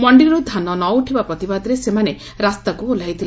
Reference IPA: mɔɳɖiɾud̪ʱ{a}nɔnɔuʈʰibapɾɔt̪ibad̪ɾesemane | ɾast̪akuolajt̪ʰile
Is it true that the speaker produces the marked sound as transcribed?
yes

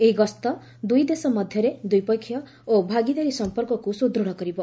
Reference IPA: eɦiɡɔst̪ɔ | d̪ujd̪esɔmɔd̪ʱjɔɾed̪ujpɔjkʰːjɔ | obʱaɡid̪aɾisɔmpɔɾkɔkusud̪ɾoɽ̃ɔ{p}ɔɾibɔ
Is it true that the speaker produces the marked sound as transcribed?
no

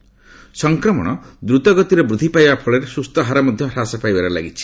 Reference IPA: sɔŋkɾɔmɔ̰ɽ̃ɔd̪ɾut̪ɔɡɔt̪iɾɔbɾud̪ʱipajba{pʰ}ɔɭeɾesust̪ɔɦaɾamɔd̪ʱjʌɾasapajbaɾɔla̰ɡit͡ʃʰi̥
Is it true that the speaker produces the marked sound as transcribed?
yes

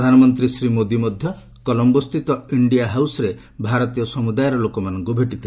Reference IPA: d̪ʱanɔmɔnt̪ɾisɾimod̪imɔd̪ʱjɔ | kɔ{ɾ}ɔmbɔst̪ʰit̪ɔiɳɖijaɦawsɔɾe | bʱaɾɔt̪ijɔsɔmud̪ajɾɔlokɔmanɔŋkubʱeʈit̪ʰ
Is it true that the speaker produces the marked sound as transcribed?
no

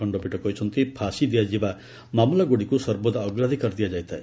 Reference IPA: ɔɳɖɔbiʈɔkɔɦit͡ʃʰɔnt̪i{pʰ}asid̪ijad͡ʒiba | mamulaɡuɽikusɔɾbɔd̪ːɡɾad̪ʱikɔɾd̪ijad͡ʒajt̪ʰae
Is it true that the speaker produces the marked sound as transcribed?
yes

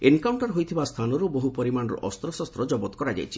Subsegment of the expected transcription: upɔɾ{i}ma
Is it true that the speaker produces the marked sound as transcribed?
yes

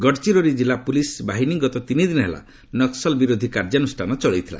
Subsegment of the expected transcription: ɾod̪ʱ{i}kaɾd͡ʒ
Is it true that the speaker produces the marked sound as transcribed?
yes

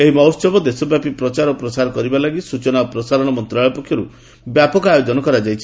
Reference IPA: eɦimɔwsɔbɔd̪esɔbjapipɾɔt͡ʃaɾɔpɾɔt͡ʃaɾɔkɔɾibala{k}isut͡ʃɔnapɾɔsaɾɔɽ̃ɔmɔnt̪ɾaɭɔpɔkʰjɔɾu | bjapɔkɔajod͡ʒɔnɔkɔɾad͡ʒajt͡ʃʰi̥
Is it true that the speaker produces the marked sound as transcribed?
no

